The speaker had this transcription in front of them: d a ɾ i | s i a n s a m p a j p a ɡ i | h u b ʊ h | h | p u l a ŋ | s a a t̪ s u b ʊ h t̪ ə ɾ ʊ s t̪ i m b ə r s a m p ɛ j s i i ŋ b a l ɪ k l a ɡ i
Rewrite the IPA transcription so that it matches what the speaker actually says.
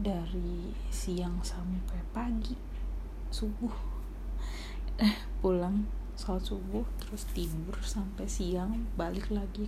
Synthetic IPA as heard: d a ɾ i | s i a ŋ s a m p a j p a ɡ i | s u b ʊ h | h | p u l a ŋ | s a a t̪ s u b ʊ h t̪ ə ɾ ʊ s t̪ i m b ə r s a m p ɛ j s i a ŋ b a l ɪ k l a ɡ i